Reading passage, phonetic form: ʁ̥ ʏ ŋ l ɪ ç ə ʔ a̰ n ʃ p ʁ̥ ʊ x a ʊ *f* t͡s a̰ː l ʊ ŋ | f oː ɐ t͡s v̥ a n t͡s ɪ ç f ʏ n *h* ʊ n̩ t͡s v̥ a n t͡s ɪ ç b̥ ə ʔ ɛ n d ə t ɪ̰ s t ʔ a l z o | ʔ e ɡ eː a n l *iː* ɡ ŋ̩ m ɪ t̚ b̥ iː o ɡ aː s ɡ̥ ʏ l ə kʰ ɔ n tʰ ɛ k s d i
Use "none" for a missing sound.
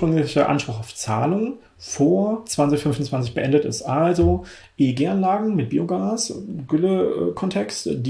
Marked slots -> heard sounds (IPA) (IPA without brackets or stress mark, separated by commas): f, f, aː